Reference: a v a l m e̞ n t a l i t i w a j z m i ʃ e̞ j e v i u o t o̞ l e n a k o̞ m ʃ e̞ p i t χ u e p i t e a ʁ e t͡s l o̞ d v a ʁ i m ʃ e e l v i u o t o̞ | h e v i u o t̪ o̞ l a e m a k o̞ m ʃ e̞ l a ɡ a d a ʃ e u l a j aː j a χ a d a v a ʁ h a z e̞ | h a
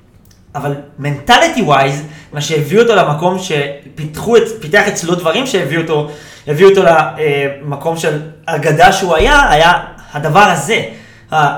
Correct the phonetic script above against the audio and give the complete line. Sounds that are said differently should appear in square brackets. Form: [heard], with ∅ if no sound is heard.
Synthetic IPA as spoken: a v a l m e̞ n t a l i t i w a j z m [a] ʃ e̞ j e v i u o t o̞ l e [m] a k o̞ m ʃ e̞ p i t χ u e p i t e a [χ] e t͡s l o̞ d v a ʁ i m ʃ e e [∅] v i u o t o̞ | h e v i u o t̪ o̞ l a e m a k o̞ m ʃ e̞ l a ɡ a d a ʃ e u [∅] a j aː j a [h] a d a v a ʁ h a z e̞ | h a